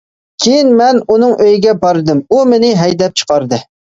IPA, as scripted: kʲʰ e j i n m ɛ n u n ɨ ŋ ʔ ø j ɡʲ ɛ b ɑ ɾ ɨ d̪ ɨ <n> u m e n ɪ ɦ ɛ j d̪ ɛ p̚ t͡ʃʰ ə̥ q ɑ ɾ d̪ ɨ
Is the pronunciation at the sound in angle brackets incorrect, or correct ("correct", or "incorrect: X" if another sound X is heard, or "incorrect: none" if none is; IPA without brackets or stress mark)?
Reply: incorrect: m